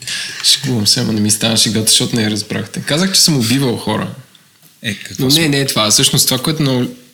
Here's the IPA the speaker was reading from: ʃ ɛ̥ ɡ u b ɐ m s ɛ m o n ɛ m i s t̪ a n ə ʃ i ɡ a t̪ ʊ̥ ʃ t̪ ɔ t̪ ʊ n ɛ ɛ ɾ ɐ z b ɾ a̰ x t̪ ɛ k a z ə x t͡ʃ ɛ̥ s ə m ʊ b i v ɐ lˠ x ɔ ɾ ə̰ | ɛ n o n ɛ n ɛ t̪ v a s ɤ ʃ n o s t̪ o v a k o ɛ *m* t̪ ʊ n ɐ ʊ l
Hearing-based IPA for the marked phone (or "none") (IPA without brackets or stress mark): none